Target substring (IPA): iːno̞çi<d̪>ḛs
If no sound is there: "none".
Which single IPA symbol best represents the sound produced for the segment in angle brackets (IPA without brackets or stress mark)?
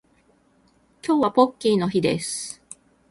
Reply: d̪